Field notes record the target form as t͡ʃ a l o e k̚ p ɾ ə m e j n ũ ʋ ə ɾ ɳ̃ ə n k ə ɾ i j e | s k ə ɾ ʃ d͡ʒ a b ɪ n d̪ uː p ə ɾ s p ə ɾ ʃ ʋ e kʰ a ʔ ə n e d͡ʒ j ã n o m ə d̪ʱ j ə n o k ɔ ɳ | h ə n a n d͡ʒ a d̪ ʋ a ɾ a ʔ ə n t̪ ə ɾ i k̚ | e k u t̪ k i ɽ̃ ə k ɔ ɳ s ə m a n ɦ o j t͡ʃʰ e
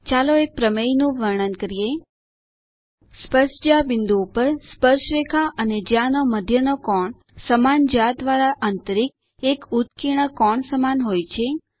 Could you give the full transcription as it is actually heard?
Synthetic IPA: t͡ʃ a l o e k̚ p ɾ ə m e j n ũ ʋ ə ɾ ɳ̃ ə n k ə ɾ i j e | s p ə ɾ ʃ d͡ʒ a b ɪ n d̪ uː p ə ɾ s p ə ɾ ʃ ʋ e kʰ a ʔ ə n e d͡ʒ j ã n o m ə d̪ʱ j ə n o k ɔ ɳ | s ə m a n d͡ʒ a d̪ ʋ a ɾ a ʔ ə n t̪ ə ɾ i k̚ | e k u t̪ k i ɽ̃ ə k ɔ ɳ s ə m a n ɦ o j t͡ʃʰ e